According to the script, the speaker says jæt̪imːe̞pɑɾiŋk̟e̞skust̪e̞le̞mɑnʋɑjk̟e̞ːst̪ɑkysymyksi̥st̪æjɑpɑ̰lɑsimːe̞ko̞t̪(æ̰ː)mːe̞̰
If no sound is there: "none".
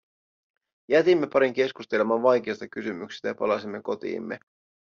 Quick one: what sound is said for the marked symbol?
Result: ḭː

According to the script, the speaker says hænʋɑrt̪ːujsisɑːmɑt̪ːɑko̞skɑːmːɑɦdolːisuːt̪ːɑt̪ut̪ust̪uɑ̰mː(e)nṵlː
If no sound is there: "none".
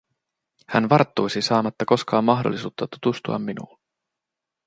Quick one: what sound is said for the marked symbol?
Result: i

